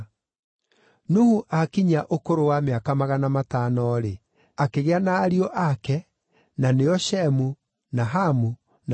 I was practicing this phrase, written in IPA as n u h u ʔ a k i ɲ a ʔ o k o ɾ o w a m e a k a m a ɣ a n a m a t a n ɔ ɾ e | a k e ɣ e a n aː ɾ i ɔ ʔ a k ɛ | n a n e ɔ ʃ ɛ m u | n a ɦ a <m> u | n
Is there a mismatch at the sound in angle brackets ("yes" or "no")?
no